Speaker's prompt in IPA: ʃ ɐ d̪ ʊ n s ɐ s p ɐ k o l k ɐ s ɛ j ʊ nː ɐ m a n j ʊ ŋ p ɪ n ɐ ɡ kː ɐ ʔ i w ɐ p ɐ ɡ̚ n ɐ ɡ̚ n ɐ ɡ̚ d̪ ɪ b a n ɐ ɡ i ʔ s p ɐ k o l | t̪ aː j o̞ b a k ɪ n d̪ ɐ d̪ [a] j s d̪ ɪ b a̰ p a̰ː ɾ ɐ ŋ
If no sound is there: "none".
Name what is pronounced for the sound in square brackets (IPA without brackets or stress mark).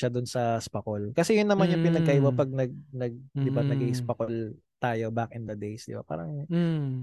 e